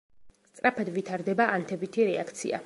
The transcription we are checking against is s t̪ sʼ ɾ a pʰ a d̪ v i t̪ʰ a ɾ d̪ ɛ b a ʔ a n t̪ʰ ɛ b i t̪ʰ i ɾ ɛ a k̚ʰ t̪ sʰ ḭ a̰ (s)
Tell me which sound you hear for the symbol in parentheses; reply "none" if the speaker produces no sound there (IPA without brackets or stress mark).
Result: none